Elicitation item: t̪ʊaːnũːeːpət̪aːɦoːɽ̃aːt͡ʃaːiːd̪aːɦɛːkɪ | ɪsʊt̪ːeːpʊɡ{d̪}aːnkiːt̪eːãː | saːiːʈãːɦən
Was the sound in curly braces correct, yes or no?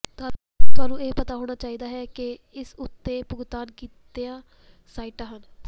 no